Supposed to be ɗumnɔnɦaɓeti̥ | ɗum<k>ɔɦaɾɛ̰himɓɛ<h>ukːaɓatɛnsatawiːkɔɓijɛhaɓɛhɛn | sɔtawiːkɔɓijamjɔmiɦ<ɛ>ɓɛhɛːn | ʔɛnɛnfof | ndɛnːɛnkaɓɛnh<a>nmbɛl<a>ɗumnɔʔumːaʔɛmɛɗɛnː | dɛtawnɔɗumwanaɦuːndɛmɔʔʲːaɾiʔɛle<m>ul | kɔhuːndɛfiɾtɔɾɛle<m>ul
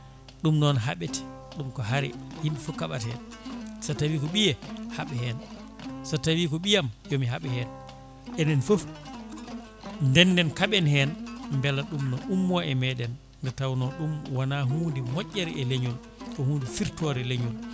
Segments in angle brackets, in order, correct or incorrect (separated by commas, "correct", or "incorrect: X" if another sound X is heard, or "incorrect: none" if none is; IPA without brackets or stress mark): correct, incorrect: f, incorrect: a, incorrect: ɛ, correct, incorrect: ɲ, incorrect: ɲ